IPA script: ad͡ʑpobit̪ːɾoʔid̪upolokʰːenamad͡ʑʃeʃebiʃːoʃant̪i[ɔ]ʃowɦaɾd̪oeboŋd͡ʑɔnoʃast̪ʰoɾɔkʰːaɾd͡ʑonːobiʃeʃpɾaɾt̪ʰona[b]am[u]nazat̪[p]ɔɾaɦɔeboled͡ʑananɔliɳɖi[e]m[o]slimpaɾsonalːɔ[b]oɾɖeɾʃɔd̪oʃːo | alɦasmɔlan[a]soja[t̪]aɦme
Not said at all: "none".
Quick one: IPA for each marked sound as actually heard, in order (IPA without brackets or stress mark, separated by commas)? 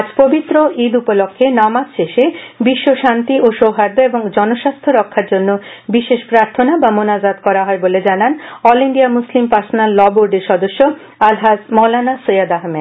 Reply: o, b, o, k, a, u, b, a, d̪